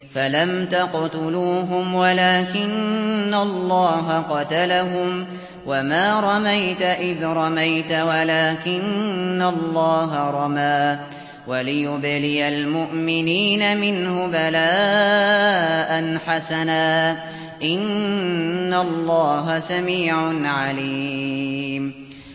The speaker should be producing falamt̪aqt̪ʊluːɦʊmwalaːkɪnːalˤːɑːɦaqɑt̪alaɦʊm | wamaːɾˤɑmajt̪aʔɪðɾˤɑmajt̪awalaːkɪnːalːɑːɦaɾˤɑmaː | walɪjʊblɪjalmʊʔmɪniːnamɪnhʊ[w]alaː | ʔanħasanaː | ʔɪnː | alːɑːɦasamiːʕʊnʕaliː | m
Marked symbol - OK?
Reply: no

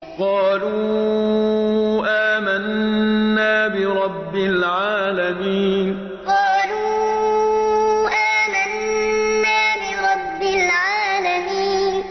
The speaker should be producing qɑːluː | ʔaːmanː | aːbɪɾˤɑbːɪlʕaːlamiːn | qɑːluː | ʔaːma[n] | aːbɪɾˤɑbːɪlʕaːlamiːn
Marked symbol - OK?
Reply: no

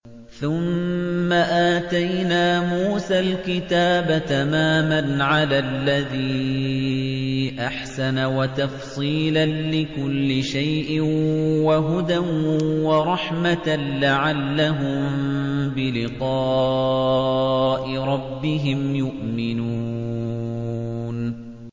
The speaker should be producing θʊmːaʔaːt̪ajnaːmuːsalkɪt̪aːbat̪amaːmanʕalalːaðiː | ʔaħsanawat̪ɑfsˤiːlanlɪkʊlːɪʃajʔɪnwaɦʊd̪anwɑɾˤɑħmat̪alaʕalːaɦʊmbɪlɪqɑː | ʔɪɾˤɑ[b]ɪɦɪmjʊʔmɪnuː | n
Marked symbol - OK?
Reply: no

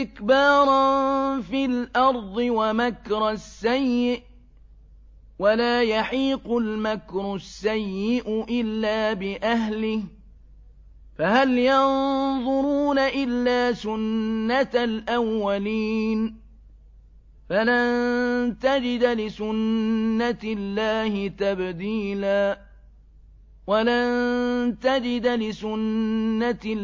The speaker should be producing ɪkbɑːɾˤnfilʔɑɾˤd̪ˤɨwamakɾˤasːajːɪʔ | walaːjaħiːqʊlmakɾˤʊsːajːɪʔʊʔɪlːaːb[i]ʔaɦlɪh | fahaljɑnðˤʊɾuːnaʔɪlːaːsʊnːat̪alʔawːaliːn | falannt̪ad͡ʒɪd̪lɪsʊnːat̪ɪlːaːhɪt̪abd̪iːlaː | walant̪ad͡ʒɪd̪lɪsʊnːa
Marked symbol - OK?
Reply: no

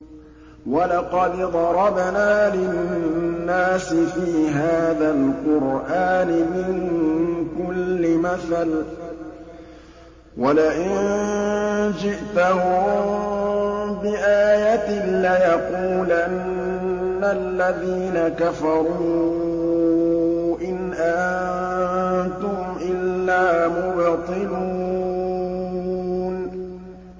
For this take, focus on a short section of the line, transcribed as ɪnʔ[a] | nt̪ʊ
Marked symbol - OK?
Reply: yes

